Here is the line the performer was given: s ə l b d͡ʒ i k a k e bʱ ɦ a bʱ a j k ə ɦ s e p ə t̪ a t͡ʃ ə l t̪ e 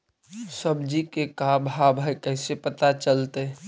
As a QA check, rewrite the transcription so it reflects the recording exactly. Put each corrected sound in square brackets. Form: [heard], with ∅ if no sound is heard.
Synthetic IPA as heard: s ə [∅] b d͡ʒ i k [e] k [a] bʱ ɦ a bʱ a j k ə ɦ s e p ə t̪ a t͡ʃ ə l t̪ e